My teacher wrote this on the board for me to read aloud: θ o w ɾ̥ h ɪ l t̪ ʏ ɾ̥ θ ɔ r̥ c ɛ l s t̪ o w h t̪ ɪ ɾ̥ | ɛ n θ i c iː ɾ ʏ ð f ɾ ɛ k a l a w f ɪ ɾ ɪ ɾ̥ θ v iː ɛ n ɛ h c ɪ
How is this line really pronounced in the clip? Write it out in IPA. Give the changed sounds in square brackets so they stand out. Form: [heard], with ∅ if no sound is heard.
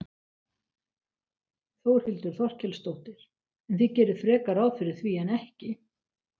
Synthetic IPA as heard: θ o w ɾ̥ h ɪ l t̪ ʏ ɾ̥ θ ɔ r̥ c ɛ l s t̪ o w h t̪ ɪ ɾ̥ | ɛ n θ i c [ɛː] ɾ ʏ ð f ɾ [ɛː] k a [ɾ] a w f ɪ ɾ ɪ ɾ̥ θ v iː ɛ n ɛ h c ɪ

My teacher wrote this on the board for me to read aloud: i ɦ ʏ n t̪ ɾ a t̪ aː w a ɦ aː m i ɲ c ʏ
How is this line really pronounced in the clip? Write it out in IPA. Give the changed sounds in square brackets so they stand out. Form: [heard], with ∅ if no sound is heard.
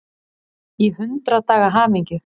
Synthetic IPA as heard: i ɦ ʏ n t̪ ɾ a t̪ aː [ɣ] a ɦ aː m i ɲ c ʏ

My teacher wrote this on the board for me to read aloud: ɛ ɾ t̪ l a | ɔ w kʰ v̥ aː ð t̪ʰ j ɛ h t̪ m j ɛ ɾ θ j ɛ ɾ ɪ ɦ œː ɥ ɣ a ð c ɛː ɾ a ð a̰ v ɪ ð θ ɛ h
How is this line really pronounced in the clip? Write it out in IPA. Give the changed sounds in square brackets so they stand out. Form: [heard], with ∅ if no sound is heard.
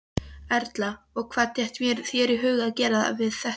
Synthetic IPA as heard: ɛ ɾ t̪ l a | ɔ [ɣ] kʰ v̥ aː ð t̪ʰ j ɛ h t̪ m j ɛ ɾ θ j ɛ ɾ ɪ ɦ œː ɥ ɣ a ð c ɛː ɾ a ð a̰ v ɪ ð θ ɛ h

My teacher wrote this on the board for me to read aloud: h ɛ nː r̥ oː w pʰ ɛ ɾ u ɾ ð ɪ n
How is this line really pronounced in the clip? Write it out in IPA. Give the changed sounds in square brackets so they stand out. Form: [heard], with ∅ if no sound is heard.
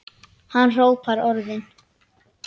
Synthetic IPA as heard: h [a] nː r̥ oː w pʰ [a] ɾ [ɔ] ɾ ð ɪ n

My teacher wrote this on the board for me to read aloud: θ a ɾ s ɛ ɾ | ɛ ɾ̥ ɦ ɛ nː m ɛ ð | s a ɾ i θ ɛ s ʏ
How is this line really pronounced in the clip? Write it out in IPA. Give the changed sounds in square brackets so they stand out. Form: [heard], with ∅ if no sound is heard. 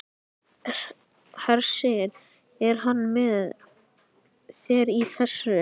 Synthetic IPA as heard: [h] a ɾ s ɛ ɾ | ɛ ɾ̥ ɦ [a] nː m ɛ ð | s [ɛ] ɾ i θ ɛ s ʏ

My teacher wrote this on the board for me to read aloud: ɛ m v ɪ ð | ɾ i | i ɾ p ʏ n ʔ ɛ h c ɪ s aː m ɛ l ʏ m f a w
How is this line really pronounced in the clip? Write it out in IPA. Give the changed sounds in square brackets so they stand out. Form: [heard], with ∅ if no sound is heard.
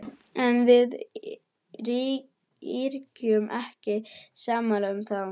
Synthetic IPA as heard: ɛ [n] v ɪ ð | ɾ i | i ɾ [c] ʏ [m] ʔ ɛ h c ɪ s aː m [a] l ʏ m [θ] a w

